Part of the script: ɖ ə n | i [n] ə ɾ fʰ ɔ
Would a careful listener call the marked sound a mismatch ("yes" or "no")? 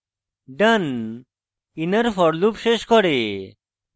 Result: no